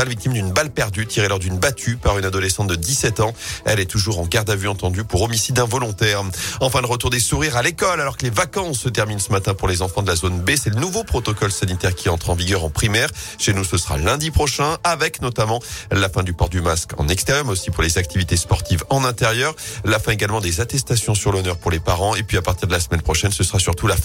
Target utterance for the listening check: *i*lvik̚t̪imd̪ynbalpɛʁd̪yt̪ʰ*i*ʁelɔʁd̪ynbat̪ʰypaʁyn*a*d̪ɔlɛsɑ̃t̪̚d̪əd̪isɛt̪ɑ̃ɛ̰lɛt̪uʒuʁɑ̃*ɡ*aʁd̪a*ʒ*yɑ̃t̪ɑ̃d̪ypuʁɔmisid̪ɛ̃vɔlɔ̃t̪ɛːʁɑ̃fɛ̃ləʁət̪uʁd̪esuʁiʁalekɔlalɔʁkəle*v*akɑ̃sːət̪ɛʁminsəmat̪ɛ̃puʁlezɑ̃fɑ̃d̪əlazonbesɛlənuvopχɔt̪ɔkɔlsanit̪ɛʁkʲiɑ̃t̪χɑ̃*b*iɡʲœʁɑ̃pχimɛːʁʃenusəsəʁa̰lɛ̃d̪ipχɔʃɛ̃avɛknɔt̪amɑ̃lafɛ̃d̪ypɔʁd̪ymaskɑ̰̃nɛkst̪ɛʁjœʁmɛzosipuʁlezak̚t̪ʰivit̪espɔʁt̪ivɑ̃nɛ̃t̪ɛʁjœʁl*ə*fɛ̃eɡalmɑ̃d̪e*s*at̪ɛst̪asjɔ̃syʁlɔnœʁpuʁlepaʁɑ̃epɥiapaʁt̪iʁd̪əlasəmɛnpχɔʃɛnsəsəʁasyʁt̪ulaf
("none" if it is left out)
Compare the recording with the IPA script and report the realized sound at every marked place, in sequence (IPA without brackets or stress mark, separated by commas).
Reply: a, i, a, ɡ, v, v, v, a, z